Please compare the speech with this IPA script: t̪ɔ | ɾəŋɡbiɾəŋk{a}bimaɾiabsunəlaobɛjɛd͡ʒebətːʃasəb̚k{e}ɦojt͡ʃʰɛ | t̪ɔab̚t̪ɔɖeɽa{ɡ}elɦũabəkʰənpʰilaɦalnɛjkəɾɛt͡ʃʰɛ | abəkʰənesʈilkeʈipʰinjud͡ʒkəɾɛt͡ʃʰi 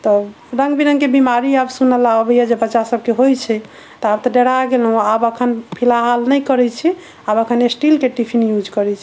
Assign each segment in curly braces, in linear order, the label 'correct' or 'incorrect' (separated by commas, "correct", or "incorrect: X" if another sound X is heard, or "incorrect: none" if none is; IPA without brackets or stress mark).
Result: incorrect: e, correct, correct